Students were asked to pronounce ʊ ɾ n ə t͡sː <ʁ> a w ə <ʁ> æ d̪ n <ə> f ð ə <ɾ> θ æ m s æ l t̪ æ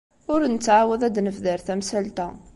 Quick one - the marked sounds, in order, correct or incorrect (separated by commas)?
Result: incorrect, incorrect, correct, correct